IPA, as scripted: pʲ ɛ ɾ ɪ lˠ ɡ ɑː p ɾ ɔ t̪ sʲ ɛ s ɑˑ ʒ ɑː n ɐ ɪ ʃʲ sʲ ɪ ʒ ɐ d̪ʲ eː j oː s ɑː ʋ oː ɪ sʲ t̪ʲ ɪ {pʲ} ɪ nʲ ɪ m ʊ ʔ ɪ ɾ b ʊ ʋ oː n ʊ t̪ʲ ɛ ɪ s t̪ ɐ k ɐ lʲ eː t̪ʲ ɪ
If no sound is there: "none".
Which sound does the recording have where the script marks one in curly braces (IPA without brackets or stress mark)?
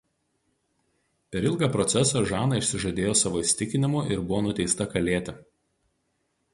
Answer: kʲ